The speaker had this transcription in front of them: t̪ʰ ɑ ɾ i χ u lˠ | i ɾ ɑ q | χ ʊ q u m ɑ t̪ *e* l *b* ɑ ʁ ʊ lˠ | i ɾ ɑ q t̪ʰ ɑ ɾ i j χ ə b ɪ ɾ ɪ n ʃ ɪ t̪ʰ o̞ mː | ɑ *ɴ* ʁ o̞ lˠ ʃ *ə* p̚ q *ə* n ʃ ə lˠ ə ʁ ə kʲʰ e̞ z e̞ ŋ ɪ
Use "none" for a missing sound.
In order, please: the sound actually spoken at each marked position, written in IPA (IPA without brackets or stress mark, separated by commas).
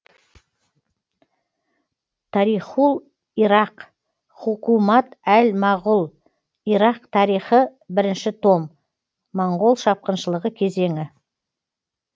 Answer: æ, m, ɴ, ɑ, ə